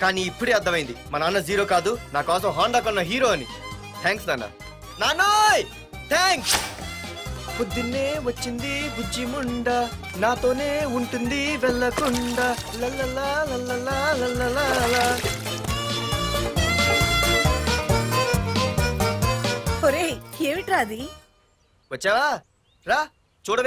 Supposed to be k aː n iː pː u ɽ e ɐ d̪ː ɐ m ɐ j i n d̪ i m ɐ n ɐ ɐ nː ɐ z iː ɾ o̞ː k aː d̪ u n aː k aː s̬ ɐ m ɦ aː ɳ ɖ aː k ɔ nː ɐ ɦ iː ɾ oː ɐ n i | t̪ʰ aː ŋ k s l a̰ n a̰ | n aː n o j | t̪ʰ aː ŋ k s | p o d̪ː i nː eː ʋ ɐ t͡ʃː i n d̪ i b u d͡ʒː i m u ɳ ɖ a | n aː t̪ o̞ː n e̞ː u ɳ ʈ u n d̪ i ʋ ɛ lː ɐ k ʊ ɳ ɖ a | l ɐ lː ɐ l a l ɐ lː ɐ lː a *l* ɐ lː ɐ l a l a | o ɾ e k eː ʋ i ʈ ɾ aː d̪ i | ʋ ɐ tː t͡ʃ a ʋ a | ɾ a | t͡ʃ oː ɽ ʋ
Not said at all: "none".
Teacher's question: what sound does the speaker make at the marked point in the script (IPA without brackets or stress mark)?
l